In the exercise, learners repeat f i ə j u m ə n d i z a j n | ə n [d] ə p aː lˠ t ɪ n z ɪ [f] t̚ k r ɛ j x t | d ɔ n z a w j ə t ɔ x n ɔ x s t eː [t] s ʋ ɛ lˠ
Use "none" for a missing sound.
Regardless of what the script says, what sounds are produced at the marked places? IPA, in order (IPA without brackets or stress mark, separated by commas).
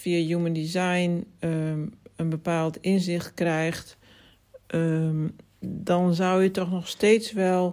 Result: b, x, t